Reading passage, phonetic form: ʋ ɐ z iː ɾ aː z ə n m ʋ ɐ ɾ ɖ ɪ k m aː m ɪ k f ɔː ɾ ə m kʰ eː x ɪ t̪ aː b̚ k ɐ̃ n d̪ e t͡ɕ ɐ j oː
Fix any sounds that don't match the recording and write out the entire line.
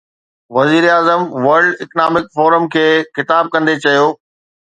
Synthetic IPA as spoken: ʋ ɐ z iː ɾ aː z ə m ʋ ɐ ɾ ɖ ɪ k n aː m ɪ k f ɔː ɾ ə m kʰ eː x ɪ t̪ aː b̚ k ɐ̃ n d̪ e t͡ɕ ɐ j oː